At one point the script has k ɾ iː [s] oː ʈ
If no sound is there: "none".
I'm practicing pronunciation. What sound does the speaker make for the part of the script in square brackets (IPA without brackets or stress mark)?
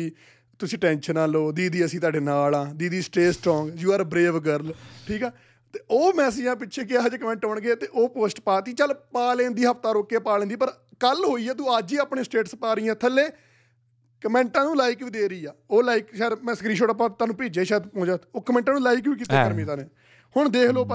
ʃ